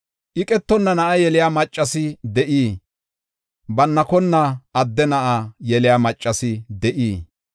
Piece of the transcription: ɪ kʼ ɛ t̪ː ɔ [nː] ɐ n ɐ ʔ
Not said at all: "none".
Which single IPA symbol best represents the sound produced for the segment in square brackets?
nː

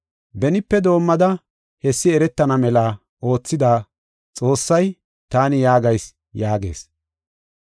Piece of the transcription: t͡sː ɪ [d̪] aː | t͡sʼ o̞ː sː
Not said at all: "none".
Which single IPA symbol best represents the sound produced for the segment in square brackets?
d̪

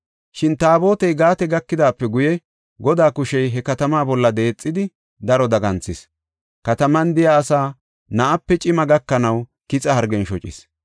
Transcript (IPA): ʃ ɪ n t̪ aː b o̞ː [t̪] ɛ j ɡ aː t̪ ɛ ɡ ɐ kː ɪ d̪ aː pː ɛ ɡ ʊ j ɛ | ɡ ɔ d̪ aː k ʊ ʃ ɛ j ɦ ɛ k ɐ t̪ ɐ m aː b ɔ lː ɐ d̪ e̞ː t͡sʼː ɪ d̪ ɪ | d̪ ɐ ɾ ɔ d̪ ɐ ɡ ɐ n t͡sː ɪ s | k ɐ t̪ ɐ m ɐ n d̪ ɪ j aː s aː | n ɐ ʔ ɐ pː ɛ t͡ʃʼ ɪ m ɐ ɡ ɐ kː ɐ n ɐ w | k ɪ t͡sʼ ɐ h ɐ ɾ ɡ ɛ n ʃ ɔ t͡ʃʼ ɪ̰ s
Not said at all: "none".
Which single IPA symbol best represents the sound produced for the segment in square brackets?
t̪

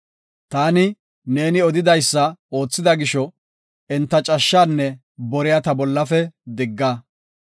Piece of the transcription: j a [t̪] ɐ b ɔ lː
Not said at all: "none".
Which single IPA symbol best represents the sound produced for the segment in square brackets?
t̪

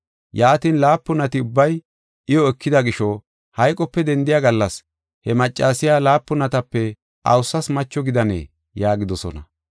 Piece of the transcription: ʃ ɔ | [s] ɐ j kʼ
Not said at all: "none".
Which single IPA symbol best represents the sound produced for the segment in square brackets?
h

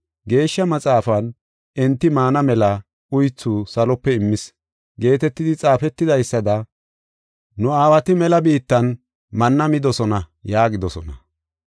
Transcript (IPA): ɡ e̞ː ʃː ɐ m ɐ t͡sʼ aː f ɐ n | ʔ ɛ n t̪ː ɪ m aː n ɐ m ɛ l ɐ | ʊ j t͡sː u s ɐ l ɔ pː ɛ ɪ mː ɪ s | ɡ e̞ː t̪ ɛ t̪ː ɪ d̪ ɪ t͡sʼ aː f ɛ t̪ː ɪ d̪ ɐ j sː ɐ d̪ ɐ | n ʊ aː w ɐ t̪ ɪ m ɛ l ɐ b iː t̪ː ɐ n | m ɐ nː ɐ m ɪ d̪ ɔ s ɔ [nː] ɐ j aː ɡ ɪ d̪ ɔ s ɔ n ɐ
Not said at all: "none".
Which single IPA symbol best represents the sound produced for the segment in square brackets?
n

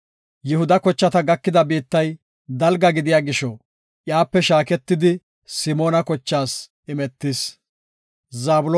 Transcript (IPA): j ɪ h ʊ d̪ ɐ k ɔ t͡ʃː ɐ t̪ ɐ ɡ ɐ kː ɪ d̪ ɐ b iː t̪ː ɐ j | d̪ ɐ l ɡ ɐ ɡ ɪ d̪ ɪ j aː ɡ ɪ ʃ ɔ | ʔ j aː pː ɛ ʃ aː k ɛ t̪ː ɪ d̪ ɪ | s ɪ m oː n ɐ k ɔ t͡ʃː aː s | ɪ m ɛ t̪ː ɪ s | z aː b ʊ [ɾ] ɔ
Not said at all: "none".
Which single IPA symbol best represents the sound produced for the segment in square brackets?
l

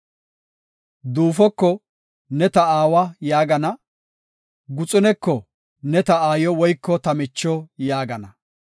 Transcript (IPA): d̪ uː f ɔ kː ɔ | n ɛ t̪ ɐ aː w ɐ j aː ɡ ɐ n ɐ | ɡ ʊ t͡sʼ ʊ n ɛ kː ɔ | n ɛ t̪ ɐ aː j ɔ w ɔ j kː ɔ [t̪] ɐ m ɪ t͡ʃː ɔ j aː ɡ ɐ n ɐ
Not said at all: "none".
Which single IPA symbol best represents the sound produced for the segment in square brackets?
t̪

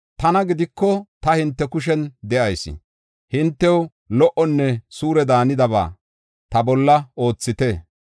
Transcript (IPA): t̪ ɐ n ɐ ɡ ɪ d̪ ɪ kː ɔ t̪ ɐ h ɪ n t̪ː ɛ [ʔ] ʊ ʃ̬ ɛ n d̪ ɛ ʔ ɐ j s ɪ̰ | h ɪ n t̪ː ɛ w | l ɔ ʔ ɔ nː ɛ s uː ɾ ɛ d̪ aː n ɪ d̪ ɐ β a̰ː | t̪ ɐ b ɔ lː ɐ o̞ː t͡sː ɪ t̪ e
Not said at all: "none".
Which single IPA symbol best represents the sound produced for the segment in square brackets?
k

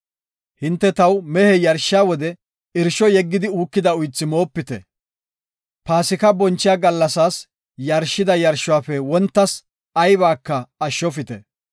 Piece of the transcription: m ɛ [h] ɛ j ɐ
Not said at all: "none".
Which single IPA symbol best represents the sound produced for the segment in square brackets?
h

